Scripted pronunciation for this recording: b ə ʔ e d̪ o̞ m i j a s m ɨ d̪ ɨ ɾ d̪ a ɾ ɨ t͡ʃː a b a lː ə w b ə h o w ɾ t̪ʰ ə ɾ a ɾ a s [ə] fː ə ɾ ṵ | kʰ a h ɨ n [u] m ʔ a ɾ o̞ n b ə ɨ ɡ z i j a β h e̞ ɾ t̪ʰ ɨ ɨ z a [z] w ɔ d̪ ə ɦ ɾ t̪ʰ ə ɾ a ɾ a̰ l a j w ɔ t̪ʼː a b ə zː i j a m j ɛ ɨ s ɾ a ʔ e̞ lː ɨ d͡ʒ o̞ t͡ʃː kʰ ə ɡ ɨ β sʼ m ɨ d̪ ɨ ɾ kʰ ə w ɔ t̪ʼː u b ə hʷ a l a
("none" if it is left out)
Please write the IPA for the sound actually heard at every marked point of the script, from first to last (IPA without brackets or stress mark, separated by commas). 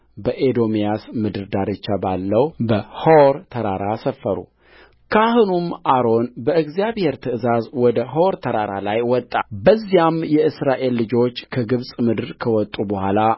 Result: ə, u, z